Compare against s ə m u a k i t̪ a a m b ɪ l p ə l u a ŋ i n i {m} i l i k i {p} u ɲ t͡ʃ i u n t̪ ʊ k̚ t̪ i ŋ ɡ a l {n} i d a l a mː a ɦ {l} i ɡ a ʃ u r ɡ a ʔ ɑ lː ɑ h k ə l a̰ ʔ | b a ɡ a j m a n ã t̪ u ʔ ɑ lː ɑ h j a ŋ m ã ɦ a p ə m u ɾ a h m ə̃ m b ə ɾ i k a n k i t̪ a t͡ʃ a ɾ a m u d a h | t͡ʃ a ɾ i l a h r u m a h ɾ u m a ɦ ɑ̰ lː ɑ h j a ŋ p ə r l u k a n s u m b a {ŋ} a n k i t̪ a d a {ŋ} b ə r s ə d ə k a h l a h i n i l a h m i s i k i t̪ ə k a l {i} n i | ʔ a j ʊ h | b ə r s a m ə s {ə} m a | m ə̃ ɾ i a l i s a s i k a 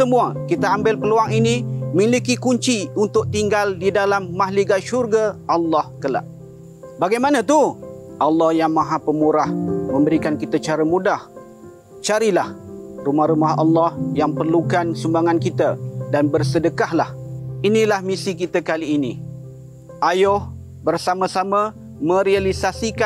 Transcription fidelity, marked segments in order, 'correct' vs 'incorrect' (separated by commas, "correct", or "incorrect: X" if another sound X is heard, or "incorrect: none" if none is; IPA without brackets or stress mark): correct, incorrect: k, incorrect: d, correct, correct, incorrect: n, incorrect: iː, incorrect: a